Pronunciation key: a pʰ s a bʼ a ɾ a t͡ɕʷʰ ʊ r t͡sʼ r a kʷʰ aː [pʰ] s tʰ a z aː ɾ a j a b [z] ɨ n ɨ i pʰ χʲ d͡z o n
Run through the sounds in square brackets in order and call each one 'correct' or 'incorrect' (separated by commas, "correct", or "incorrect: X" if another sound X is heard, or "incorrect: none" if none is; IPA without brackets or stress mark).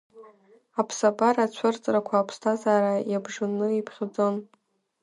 correct, incorrect: ʐ